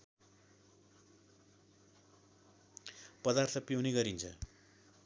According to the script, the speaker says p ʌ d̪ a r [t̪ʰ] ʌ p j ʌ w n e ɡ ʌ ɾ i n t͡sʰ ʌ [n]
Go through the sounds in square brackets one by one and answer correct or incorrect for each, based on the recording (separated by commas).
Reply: correct, incorrect